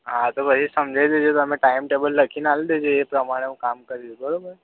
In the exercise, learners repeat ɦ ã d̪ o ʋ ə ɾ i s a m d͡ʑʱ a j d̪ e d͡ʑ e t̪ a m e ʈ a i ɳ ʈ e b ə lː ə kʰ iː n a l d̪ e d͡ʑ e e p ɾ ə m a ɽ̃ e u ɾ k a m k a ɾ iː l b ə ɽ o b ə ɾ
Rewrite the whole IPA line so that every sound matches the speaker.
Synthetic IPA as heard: ɦ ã t̪ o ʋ ə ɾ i s ə m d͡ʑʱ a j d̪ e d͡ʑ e t̪ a m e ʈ a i m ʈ e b ə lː ə kʰ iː n a l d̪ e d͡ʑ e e p ɾ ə m a ɽ̃ e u k a m k ə ɾ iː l b ə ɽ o b ə ɾ

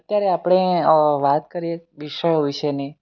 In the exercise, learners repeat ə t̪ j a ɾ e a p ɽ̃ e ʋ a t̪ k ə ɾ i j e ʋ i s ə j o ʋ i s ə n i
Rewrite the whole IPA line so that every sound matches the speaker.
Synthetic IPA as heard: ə t̪ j a ɾ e a p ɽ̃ e ʋ a t̪ k ə ɾ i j e ʋ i ʃ ə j o ʋ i ʃ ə n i

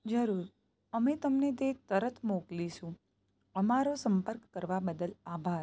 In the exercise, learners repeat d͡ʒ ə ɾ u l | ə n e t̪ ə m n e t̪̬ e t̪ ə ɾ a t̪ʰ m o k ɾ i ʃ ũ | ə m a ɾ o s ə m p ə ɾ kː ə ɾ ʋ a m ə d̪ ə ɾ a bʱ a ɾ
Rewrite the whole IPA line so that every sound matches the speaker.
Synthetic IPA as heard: d͡ʒ ə ɾ u ɾ | ə m e t̪ ə m n e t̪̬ e t̪ ə ɾ ə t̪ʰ m o k l i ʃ ũ | ə m a ɾ o s ə m p ə ɾ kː ə ɾ ʋ a b ə d̪ ə l a bʱ a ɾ

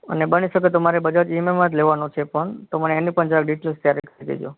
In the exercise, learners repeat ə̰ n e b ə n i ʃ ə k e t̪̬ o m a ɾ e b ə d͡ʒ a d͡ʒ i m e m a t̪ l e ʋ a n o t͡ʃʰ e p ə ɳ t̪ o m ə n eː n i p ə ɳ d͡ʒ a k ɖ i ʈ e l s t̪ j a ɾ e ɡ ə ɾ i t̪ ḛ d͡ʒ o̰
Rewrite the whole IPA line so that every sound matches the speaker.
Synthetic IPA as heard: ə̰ n e b ə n i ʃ ə k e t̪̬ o m a ɾ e b ə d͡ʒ a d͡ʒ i m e m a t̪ l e ʋ a n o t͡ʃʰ e p ə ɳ t̪ o m ə n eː n i p ə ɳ d͡ʒ a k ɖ i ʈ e l s t̪ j a ɾ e k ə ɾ i d̪ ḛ d͡ʒ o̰

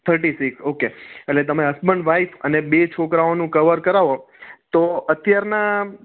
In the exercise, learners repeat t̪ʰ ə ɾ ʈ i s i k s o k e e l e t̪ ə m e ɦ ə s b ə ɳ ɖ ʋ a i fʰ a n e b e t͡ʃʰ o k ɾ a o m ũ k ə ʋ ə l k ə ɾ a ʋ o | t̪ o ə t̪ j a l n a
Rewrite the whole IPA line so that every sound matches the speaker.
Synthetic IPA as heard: t̪ʰ ə ɾ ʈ i s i k s o k e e l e t̪ ə m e ɦ ə s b ə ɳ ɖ ʋ a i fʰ ə n e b e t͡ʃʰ o k ɾ a o n ũ k ə ʋ ə ɾ k ə ɾ a ʋ o | t̪ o ə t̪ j a ɾ n a

